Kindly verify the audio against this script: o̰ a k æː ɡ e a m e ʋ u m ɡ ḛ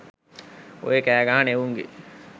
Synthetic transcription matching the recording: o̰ e k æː ɡ a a n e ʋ u ŋ ɡ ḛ

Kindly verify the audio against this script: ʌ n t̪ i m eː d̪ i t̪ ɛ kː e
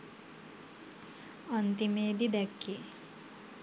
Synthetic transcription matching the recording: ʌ n t̪ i m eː d̪ i d̪ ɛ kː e

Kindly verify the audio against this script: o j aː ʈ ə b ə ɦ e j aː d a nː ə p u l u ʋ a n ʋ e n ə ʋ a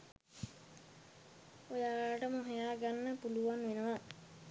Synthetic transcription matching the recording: o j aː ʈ ə m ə ɦ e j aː ɡ a nː ə p u l u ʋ a n ʋ e n ə ʋ a

